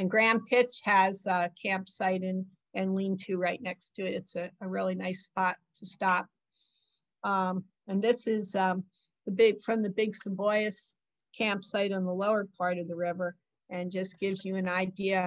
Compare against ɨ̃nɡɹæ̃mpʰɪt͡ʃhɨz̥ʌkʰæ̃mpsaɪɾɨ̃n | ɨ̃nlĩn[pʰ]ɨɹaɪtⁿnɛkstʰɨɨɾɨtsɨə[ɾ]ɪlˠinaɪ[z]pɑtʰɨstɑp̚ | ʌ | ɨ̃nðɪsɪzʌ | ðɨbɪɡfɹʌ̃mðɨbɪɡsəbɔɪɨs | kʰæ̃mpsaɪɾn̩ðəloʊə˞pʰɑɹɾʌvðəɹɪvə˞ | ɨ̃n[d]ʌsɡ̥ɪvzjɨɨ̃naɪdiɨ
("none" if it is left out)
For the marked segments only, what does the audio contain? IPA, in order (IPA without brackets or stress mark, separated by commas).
tʰ, ɹ, s, d͡ʒ